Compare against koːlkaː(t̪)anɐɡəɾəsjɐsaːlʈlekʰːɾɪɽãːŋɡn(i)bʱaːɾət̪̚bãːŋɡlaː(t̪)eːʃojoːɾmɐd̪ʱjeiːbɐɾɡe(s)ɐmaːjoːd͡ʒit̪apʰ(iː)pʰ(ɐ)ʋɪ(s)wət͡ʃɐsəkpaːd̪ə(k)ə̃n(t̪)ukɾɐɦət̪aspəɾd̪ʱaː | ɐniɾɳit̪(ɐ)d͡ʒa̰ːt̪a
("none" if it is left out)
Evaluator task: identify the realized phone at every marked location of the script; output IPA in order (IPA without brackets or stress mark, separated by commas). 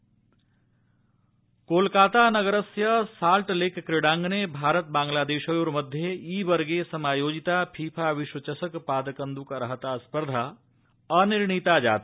t̪, e, d̪, s, iː, a, ʃ, k, d̪, a